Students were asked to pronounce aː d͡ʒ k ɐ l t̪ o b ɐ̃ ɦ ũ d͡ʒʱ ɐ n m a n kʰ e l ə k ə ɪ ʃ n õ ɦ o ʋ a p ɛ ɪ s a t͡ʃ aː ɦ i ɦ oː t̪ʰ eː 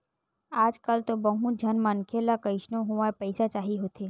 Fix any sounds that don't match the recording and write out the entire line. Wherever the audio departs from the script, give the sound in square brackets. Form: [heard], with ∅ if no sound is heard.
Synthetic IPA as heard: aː d͡ʒ k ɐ l t̪ o b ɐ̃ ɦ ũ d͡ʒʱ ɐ n m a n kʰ e l [a] k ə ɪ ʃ n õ ɦ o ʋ a p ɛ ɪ s a t͡ʃ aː ɦ i ɦ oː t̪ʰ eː